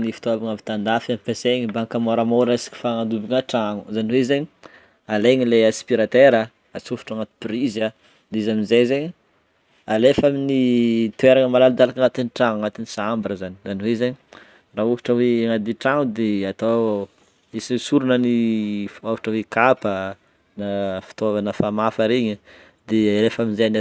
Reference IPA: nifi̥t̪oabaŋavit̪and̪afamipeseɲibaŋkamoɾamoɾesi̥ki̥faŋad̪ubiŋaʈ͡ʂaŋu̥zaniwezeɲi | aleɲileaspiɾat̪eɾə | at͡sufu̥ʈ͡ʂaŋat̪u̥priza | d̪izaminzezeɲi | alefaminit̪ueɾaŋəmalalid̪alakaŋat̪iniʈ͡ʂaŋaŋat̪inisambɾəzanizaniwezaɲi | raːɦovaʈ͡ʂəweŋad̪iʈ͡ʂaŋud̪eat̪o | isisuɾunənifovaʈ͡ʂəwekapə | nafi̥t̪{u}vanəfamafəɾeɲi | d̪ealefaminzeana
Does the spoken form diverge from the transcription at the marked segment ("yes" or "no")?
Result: yes